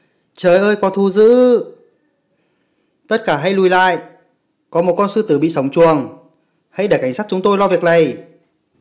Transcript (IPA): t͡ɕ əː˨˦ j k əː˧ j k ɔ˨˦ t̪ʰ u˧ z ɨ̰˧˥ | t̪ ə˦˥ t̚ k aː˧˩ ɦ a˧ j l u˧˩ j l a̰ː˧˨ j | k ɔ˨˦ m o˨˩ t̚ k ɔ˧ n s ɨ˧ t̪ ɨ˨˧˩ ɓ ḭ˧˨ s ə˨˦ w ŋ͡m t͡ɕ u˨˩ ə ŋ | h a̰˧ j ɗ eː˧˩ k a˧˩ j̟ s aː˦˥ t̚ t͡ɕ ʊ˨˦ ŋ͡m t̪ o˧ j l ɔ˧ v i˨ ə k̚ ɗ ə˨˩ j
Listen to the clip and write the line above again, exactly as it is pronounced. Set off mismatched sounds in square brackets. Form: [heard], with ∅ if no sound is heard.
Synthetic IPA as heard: t͡ɕ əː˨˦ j [ʔ] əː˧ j k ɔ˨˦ t̪ʰ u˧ z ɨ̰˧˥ | t̪ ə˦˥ t̚ k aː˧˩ ɦ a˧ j l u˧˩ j l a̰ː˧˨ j | k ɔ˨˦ m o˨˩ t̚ k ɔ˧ n s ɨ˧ t̪ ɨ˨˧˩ ɓ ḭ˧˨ s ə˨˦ w ŋ͡m t͡ɕ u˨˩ ə ŋ | h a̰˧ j ɗ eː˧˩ k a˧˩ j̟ s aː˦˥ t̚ t͡ɕ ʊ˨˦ ŋ͡m t̪ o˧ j l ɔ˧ v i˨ ə k̚ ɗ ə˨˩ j